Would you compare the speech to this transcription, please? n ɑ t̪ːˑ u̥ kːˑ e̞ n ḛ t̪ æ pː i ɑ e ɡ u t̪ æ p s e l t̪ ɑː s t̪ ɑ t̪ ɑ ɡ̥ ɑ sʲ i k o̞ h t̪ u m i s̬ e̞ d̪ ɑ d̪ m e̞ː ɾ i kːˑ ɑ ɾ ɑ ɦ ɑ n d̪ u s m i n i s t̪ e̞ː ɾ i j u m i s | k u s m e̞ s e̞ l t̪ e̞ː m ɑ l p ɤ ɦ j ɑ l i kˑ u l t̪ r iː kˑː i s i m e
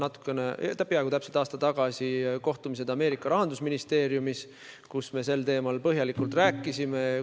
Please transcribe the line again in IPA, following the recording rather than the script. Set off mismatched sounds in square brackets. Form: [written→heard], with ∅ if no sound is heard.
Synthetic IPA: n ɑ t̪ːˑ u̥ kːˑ e̞ n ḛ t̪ æ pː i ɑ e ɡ u t̪ æ p s e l t̪ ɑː s t̪ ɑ t̪ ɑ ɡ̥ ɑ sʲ i k o̞ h t̪ u m i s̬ e̞ d̪ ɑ [d̪→∅] m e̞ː ɾ i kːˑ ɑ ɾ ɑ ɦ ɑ n d̪ u s m i n i s t̪ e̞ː ɾ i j u m i s | k u s m e̞ s e̞ l t̪ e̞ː m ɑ l p ɤ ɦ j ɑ l i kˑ u l t̪ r [iː→æː] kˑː i s i m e

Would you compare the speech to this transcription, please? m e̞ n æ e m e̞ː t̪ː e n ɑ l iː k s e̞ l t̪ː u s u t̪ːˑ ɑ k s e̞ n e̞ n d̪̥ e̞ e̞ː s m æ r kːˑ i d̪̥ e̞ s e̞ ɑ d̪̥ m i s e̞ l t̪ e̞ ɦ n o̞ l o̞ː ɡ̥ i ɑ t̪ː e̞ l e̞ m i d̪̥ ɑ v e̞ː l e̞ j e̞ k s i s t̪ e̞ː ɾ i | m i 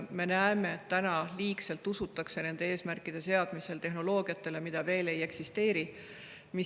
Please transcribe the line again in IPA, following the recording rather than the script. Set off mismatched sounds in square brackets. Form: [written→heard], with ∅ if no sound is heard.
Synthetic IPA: m e̞ n æ e m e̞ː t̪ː [e→æ] n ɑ l iː k s e̞ l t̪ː u s u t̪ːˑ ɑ k s e̞ n e̞ n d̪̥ e̞ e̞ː s m æ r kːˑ i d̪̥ e̞ s e̞ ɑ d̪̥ m i s e̞ l t̪ e̞ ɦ n o̞ l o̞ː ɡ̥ i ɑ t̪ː e̞ l e̞ m i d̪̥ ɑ v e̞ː l e̞ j e̞ k s i s t̪ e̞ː ɾ i | m i

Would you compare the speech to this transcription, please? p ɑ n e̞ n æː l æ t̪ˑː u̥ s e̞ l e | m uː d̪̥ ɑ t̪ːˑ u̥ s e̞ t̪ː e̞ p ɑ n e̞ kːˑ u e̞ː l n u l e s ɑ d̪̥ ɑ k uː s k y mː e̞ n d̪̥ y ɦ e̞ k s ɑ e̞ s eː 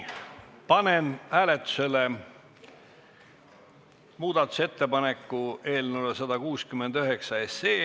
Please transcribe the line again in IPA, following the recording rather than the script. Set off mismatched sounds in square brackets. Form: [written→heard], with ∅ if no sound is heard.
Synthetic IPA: p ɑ n e̞ n æː l [æ→e] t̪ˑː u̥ s e̞ l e | m uː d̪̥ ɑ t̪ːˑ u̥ s e̞ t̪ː e̞ p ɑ n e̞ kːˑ u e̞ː l n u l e s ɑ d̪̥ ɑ k uː s k y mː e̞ n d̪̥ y ɦ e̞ k s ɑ e̞ s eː

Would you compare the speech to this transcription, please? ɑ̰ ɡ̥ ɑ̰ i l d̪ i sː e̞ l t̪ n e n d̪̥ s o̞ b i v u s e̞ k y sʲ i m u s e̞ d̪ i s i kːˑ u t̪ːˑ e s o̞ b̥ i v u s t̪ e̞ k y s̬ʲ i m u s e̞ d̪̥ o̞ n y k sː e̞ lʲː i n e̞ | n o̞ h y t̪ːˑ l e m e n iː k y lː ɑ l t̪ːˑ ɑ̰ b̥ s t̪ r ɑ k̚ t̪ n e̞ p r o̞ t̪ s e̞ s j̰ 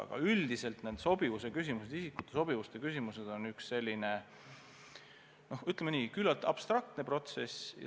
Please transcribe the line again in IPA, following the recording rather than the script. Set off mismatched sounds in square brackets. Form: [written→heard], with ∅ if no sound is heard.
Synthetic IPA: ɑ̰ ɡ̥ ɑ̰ [i→y] l d̪ i [sː→s] e̞ l t̪ n e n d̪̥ s o̞ b i v u s e̞ k y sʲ i m u s e̞ d̪ i s i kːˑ u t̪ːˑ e s o̞ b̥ i v u s t̪ e̞ k y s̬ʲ i m u s e̞ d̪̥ o̞ n y k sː e̞ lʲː i n e̞ | n o̞ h y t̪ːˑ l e m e n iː k y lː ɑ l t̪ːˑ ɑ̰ b̥ s t̪ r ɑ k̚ t̪ n e̞ p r o̞ t̪ s e̞ s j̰

